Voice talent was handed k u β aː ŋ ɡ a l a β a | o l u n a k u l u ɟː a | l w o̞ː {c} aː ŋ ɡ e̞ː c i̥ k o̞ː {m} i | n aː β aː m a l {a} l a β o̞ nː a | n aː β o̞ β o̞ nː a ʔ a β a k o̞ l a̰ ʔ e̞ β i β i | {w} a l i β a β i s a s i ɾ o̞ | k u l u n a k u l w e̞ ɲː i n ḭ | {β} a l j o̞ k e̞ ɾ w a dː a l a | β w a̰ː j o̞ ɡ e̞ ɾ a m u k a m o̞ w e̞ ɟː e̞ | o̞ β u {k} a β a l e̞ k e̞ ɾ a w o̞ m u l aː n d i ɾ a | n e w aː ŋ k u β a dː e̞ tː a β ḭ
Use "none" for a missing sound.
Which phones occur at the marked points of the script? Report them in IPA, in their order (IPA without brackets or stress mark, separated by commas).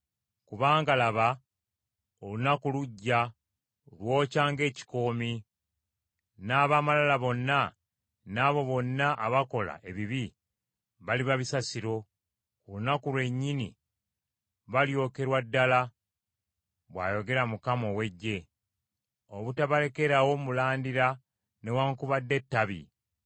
c, m, a, β, β, t